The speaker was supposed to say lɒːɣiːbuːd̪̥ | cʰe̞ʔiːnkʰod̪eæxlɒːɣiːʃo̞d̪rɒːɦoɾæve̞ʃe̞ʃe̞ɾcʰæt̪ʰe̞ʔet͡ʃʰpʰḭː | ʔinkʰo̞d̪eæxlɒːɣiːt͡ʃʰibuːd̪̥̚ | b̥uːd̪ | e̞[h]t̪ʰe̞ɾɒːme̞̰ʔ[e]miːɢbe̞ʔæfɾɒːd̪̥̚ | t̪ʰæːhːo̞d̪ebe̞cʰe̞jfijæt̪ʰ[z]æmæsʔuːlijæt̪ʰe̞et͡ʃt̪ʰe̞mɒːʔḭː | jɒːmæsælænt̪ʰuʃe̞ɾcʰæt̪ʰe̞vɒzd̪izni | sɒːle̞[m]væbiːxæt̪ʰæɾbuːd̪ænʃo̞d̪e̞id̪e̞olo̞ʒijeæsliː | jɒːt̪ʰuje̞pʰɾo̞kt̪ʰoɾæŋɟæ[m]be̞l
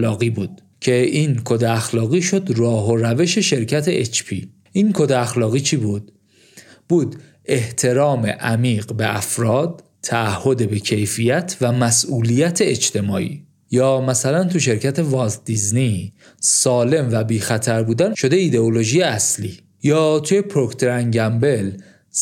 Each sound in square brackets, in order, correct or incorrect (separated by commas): correct, incorrect, incorrect, correct, correct